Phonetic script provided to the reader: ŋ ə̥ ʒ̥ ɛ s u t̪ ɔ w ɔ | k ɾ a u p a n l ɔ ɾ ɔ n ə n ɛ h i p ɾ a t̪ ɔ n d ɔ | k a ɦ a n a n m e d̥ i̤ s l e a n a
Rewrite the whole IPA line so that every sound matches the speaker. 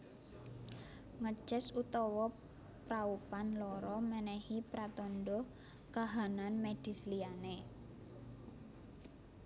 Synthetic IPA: ŋ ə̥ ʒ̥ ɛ s u t̪ ɔ w ɔ | p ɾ a u p a n l ɔ ɾ ɔ m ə n ɛ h i p ɾ a t̪ ɔ n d ɔ | k a ɦ a n a n m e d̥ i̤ s l i a n e